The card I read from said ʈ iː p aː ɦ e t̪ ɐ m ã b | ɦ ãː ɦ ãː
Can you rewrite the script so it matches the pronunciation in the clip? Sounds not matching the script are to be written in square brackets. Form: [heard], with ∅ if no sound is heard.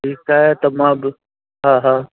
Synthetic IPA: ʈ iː [k] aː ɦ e t̪ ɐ m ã b | ɦ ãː ɦ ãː